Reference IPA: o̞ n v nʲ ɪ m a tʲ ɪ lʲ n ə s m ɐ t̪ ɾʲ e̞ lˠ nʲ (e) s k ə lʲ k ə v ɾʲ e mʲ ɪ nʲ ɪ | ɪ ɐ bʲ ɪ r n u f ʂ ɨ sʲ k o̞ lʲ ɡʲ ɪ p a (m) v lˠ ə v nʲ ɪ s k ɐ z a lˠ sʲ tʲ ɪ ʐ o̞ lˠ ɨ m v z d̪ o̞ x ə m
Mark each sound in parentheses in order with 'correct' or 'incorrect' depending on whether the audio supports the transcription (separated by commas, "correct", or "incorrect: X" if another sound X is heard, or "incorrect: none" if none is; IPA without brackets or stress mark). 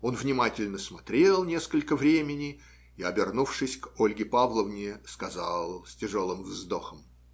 correct, incorrect: none